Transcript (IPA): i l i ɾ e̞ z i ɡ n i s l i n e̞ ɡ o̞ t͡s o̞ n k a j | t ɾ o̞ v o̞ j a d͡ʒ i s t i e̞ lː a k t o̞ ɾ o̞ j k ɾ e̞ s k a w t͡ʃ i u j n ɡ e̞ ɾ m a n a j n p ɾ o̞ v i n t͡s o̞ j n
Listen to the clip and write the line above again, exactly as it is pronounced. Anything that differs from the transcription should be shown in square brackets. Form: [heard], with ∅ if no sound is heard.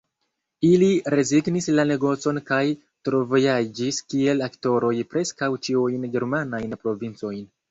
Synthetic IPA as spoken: i l i ɾ e̞ z i ɡ n i s l [a] n e̞ ɡ o̞ t͡s o̞ n k a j | t ɾ o̞ v o̞ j a d͡ʒ i s [k] i e̞ [l] a k t o̞ ɾ o̞ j [p] ɾ e̞ s k a w t͡ʃ i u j n ɡ e̞ ɾ m a n a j n p ɾ o̞ v i n t͡s o̞ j n